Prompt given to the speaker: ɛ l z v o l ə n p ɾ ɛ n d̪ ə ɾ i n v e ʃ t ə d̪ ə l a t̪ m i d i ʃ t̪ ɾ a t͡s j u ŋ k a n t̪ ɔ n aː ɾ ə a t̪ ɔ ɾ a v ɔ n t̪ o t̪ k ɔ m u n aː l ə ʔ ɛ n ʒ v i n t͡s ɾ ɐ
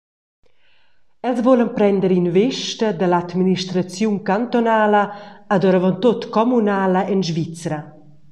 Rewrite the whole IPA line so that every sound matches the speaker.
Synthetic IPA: ɛ l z v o l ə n p ɾ ɛ n d̪ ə ɾ i n v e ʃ t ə d̪ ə l a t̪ m i n i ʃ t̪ ɾ a t͡s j u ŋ k a n t̪ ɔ n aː l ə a d̪ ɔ ɾ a v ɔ n t̪ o t̪ k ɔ m u n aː l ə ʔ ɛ n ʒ v i t͡s ɾ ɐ